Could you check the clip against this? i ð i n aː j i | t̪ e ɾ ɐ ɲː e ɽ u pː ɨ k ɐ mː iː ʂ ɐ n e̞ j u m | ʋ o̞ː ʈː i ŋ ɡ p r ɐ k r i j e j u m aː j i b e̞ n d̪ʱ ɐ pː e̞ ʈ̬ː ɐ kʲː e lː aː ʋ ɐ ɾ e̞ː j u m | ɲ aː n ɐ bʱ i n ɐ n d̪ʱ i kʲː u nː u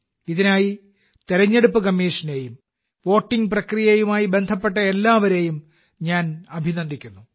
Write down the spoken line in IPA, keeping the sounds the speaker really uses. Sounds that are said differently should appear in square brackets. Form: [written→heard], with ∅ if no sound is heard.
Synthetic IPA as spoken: i ð i n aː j i | t̪ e ɾ ɐ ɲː e ɽ u pː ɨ k ɐ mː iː ʂ ɐ n e̞ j u m | ʋ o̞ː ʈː i ŋ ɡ p r ɐ k r i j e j u m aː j i b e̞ n d̪ʱ ɐ pː e̞ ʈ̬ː ɐ [kʲː→∅] e lː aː ʋ ɐ ɾ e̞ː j u m | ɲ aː n ɐ bʱ i n ɐ n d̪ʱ i kʲː u nː u